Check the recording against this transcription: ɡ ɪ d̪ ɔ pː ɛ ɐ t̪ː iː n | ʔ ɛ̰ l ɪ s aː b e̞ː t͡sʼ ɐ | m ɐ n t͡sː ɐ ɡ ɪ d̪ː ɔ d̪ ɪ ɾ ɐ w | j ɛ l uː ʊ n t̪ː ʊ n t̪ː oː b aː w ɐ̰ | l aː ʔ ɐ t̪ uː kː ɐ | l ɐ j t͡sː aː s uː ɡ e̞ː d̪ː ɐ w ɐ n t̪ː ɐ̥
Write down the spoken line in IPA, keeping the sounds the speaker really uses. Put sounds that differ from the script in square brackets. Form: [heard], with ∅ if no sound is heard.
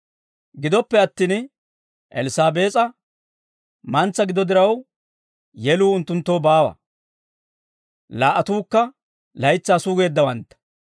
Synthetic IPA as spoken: ɡ ɪ d̪ ɔ pː ɛ ɐ t̪ː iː n | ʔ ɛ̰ l ɪ s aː b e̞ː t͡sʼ ɐ | m ɐ n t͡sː ɐ ɡ ɪ [d̪] ɔ d̪ ɪ ɾ ɐ w | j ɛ l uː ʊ n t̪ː ʊ n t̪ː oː b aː w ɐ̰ | l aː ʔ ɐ t̪ uː kː ɐ | l ɐ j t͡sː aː s uː ɡ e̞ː d̪ː ɐ w ɐ n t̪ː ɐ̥